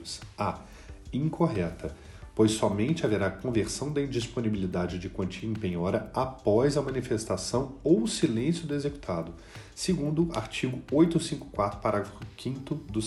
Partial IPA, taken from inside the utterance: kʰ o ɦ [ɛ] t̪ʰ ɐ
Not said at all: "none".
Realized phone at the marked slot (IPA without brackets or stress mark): ɛ